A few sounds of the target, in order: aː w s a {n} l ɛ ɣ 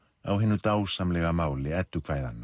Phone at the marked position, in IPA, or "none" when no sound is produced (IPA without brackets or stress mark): m